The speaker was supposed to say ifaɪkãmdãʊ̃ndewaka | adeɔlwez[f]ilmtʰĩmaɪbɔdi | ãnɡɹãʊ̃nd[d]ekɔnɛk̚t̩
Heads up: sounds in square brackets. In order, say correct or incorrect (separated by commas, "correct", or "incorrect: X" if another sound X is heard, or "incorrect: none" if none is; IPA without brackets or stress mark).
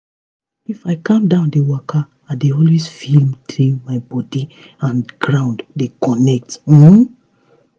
correct, correct